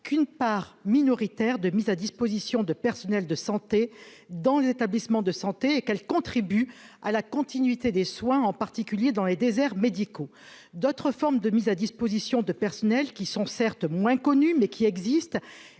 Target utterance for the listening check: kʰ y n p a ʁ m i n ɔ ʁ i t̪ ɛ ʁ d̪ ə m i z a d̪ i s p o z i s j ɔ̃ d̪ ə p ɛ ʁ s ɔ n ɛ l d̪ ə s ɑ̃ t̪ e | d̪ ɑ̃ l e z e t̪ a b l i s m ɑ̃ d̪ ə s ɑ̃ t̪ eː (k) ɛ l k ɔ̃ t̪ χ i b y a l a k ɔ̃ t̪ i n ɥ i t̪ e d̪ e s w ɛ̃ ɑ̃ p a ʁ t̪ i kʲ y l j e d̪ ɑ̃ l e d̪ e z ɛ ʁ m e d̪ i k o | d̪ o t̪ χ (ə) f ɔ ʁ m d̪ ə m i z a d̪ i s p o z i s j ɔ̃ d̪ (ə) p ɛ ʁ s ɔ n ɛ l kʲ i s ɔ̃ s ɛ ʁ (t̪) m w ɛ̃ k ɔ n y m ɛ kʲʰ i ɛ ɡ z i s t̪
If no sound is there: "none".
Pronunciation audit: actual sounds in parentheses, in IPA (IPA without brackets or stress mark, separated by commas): k, ə, ə, t̪